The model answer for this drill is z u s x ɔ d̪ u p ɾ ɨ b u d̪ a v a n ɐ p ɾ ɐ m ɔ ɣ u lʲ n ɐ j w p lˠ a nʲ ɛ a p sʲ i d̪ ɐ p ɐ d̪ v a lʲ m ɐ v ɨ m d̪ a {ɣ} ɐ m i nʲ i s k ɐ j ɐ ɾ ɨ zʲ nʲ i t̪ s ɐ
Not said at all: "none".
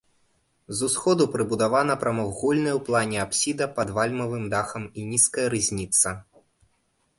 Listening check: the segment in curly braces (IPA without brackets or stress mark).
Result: x